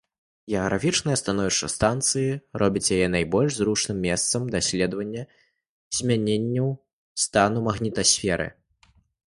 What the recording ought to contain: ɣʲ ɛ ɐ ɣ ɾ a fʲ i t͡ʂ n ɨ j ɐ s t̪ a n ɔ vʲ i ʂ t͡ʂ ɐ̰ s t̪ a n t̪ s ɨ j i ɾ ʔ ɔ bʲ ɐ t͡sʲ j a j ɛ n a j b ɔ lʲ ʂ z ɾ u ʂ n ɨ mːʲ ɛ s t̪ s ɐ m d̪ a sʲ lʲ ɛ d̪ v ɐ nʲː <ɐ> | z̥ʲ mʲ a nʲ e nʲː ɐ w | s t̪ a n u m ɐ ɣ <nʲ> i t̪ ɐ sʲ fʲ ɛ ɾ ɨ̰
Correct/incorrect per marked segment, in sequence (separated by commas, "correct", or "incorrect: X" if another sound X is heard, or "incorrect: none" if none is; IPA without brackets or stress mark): correct, correct